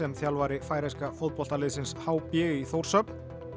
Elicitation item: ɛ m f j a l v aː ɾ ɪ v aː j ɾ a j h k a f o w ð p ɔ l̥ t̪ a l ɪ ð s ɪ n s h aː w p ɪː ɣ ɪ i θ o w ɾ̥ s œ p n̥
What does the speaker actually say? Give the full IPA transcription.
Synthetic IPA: ɛ m θ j a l v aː ɾ ɪ f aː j ɾ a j s k a f o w ð p ɔ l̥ t̪ a l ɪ ð s ɪ n s h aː w p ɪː ɣ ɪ i θ o w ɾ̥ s œ p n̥

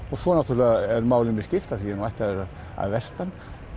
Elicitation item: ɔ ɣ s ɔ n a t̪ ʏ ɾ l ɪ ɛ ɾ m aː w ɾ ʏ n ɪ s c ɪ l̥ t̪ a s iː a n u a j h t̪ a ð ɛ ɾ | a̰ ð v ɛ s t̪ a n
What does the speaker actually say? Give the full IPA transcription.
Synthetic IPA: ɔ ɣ s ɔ n a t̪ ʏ ɾ l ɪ ɛ ɾ m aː w l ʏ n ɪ s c ɪ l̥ t̪ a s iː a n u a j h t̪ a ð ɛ ɾ | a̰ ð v ɛ s t̪ a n

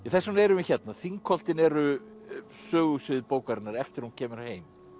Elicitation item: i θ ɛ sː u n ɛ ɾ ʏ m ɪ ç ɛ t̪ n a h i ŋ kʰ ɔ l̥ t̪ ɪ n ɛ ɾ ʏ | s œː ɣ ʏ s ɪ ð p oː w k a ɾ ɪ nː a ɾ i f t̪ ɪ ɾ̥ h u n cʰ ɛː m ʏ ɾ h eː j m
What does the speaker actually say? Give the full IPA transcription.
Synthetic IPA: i θ ɛ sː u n ɛ ɾ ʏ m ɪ ç ɛ t̪ n a θ i ŋ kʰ ɔ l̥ t̪ ɪ n ɛ ɾ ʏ | s œː ɣ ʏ s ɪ ð p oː w k a ɾ ɪ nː a ɾ ɛ f t̪ ɪ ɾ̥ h u n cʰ ɛː m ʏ ɾ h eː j m

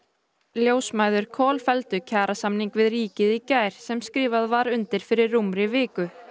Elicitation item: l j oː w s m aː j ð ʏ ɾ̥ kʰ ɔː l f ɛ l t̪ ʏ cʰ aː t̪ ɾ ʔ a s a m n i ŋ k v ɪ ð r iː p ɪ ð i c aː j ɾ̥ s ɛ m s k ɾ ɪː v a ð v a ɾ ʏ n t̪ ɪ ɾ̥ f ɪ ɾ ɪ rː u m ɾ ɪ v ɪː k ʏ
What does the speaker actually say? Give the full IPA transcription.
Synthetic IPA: l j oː w s m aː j ð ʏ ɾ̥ kʰ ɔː l f ɛ l t̪ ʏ cʰ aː ɾ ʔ a s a m n i ŋ k v ɪ ð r iː c ɪ ð i c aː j ɾ̥ s ɛ m s k ɾ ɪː v a ð v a ɾ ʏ n t̪ ɪ ɾ̥ f ɪ ɾ ɪ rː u m ɾ ɪ v ɪː k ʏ

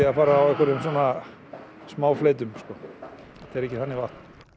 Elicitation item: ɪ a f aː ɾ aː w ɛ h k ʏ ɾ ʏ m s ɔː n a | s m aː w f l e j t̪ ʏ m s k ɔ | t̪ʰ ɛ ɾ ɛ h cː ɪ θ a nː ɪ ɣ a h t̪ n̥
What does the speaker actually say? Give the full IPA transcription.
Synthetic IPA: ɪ a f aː ɾ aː w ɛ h k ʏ ɾ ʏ m s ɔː n a | s m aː w f l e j t̪ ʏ m s k ɔ | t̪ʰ ɛ ɾ ɛ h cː ɪ θ a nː ɪ v a h t̪ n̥

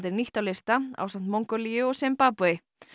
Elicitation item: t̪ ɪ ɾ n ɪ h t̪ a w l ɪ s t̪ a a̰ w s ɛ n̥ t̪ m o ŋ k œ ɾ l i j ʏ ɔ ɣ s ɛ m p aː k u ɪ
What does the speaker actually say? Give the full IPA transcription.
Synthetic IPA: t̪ ɪ ɾ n i h t̪ a w l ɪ s t̪ a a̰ w s a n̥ t̪ m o ŋ k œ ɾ l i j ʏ ɔ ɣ s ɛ m p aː p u ɪ

